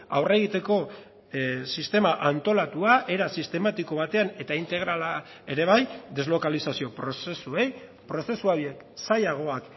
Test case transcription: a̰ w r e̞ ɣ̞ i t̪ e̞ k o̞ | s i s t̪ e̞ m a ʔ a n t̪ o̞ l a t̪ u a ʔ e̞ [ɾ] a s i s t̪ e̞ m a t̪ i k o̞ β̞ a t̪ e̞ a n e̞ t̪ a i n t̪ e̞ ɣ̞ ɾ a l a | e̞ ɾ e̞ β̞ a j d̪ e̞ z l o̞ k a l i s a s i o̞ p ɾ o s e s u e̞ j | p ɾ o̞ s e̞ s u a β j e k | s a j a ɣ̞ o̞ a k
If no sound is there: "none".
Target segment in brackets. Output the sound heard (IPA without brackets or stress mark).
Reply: ɾ